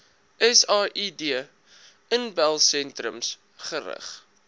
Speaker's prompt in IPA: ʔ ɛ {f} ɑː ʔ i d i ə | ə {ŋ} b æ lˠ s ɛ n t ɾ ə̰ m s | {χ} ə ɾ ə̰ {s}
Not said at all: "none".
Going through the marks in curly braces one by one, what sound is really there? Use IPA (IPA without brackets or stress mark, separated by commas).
s, n, χ, χ